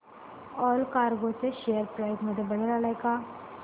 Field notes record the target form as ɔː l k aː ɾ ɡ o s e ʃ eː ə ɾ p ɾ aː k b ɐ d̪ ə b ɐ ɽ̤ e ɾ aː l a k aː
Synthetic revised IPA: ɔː l k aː ɾ ɡ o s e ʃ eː ə ɾ p ɾ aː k m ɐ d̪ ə b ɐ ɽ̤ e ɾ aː l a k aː